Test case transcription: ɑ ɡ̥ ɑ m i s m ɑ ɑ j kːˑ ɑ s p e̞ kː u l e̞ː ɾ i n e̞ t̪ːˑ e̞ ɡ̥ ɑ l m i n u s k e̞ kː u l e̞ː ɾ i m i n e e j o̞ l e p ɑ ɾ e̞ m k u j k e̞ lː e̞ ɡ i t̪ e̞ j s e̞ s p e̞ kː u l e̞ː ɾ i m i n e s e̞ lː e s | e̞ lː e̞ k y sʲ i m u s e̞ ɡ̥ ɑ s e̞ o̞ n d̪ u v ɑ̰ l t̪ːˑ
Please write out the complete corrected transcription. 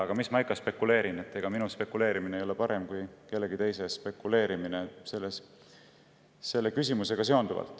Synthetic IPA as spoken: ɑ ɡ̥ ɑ m i s m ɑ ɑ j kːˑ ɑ s p e̞ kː u l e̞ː ɾ i n e̞ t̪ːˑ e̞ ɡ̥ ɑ m i n u s p e̞ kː u l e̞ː ɾ i m i n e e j o̞ l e p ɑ ɾ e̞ m k u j k e̞ lː e̞ ɡ i t̪ e̞ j s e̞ s p e̞ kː u l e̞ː ɾ i m i n e s e̞ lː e s | e̞ lː e̞ k y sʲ i m u s e̞ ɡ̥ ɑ s e̞ o̞ n d̪ u v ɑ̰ l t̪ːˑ